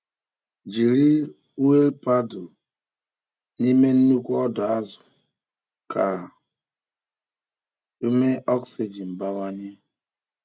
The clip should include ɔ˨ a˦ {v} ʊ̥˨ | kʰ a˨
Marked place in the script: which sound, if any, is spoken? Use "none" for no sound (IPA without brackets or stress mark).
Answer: z